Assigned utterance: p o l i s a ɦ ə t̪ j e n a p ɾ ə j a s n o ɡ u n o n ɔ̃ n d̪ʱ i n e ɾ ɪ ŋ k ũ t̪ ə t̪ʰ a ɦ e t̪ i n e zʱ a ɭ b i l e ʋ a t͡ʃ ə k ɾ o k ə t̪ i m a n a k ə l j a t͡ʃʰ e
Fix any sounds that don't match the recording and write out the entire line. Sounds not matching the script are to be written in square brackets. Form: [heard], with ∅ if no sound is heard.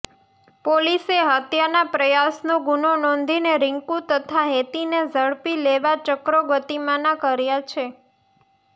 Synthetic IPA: p o l i s [e] ɦ ə t̪ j [a] n a p ɾ ə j a s n o ɡ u n o n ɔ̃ n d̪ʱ i n e ɾ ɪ ŋ k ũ t̪ ə t̪ʰ a ɦ e t̪ i n e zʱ [ə] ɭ [p] i l e ʋ a t͡ʃ ə k ɾ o [ɡ] ə t̪ i m a n a k ə [ɾ] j a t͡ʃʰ e